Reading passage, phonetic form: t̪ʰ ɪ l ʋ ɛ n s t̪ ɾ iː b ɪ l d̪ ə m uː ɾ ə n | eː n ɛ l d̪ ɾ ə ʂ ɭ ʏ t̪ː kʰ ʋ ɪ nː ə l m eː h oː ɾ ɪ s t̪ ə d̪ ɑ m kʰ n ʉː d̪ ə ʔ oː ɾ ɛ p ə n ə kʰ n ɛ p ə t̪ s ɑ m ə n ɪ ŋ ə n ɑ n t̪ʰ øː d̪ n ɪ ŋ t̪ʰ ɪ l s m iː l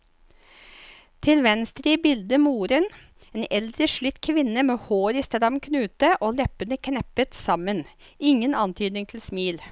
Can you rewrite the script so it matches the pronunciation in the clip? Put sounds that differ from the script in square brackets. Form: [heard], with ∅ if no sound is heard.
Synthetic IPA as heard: t̪ʰ ɪ l ʋ ɛ n s t̪ ɾ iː b ɪ l d̪ ə m uː ɾ ə n | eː n ɛ l d̪ ɾ ə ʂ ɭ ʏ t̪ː kʰ ʋ ɪ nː ə [∅] m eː h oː ɾ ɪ s t̪ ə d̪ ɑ m kʰ n ʉː [t̪] ə ʔ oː [l] ɛ p ə n ə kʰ n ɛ p ə t̪ s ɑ m ə n ɪ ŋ ə n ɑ n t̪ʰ [yː] d̪ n ɪ ŋ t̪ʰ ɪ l s m iː l